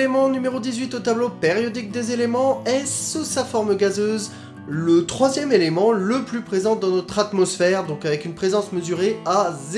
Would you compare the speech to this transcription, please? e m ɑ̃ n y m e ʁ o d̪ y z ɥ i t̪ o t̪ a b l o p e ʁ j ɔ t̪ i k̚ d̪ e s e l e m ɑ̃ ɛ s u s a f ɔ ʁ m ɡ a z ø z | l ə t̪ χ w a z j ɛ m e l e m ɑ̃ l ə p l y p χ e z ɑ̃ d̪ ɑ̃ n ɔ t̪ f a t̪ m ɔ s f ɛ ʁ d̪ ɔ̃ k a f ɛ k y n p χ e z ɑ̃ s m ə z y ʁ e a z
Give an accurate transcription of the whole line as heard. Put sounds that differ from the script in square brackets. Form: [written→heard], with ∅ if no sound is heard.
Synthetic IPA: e m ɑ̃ n y m e ʁ o d̪ [y→i] z ɥ i t̪ o t̪ a b l o p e ʁ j ɔ [t̪→d̪] i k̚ d̪ e [s→z] e l e m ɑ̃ ɛ s u s a f ɔ ʁ m ɡ a z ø z | l ə t̪ χ w a z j ɛ m e l e m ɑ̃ l ə p l y p χ e z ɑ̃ d̪ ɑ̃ n ɔ t̪ [f→χ] a t̪ m ɔ s f ɛ ʁ d̪ ɔ̃ k a [f→v] ɛ k y n p χ e z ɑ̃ s m ə z y ʁ e a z